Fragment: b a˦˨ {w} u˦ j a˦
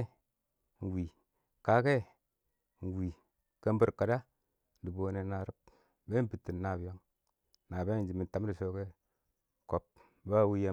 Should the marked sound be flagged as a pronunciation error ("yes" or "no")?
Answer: no